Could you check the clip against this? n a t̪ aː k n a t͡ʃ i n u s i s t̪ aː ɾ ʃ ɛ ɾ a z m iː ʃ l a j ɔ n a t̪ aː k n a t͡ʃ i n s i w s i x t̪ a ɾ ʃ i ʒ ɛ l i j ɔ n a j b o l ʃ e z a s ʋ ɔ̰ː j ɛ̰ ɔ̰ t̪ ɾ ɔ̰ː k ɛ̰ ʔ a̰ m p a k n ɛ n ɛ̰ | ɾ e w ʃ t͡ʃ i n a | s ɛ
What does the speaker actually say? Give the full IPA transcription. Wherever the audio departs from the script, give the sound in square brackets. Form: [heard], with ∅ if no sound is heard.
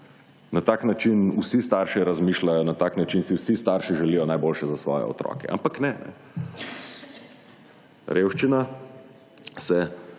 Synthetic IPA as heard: n a t̪ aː k n a t͡ʃ i n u s i s t̪ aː ɾ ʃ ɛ ɾ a z m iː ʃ l a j ɔ n a t̪ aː k n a t͡ʃ i n s i w s i [s] t̪ a ɾ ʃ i ʒ ɛ l i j ɔ n a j b o l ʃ [ɛ] z a s ʋ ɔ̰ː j ɛ̰ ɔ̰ t̪ ɾ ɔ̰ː k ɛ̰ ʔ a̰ m p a k n ɛ n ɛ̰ | ɾ e w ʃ t͡ʃ i n a | s ɛ